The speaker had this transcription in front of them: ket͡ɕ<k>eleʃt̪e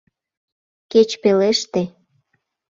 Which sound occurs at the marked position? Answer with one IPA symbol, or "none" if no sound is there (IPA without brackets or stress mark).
p